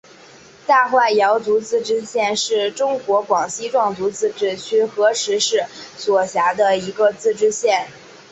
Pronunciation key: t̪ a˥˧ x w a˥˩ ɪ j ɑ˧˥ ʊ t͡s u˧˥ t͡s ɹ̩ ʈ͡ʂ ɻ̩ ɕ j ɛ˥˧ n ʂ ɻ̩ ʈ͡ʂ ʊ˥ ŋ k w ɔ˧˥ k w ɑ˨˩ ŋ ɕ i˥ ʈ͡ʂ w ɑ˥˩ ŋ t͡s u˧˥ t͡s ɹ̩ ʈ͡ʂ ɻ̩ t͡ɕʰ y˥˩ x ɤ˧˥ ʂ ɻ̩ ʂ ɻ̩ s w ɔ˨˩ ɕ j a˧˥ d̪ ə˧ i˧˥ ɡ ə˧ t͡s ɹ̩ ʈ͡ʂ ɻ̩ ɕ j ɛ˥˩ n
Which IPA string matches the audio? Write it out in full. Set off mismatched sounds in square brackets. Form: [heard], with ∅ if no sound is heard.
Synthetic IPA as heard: t̪ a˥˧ x w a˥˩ ɪ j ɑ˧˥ ʊ t͡s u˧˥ t͡s ɹ̩ ʈ͡ʂ ɻ̩ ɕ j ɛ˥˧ n ʂ ɻ̩ ʈ͡ʂ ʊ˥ ŋ k w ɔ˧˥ k w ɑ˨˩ ŋ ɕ i˥ ʈ͡ʂ w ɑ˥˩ ŋ t͡s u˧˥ t͡s ɹ̩ ʈ͡ʂ ɻ̩ t͡ɕʰ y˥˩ x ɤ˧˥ ʂ ɻ̩ ʂ ɻ̩ s w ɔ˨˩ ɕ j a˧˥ d̪ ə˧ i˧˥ ɡ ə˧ t͡s ɹ̩ ʈ͡ʂ ɻ̩ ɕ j ɛ˥˩ n